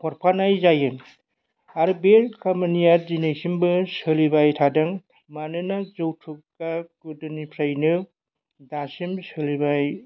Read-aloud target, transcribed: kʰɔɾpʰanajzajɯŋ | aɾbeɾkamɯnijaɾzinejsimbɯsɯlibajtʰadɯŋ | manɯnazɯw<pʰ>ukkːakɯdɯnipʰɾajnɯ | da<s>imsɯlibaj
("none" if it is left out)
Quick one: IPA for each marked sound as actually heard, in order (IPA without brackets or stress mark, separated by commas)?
tʰ, s